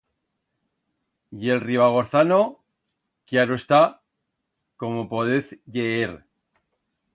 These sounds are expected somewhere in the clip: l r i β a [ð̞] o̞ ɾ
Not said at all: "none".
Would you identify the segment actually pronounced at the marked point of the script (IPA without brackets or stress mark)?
ɣ̞